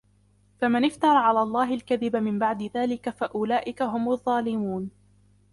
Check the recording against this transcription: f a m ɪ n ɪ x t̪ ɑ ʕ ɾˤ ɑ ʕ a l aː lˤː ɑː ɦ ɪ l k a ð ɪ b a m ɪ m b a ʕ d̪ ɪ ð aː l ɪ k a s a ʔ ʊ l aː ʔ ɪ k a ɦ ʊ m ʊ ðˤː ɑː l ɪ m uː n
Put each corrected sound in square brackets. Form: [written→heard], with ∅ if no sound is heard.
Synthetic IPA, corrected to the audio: f a m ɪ n ɪ [x→f] t̪ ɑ [ʕ→∅] ɾˤ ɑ ʕ a l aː lˤː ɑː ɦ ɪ l k a ð ɪ b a m ɪ m b a ʕ d̪ ɪ ð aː l ɪ k a [s→f] a ʔ ʊ l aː ʔ ɪ k a ɦ ʊ m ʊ ðˤː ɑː l ɪ m uː n